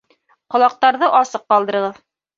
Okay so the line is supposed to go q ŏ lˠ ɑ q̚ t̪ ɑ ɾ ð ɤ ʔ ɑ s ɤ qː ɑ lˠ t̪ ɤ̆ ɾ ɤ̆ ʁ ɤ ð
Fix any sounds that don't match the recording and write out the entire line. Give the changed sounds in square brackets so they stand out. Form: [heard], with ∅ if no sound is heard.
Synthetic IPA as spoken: q ŏ lˠ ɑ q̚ t̪ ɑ ɾ ð ɤ ʔ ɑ s ɤ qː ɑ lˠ [d̪] ɤ̆ ɾ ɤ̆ ʁ ɤ ð